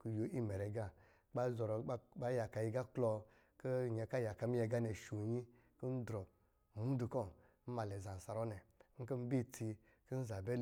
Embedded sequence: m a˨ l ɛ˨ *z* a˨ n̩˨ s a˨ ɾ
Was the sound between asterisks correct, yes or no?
yes